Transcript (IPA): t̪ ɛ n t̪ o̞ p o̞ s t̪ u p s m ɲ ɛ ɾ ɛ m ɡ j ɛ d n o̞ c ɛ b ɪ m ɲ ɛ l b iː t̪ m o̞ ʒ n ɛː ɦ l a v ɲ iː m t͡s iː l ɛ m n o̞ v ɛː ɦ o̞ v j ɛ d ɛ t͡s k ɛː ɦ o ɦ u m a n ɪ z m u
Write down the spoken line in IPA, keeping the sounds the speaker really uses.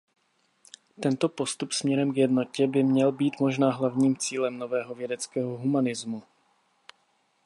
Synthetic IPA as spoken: t̪ ɛ n t̪ o̞ p o̞ s t̪ u p s m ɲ ɛ ɾ ɛ m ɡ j ɛ d n o̞ c ɛ b ɪ m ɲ ɛ l b iː t̪ m o̞ ʒ n aː ɦ l a v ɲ iː m t͡s iː l ɛ m n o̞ v ɛː ɦ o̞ v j ɛ d ɛ t͡s k ɛː ɦ o ɦ u m a n ɪ z m u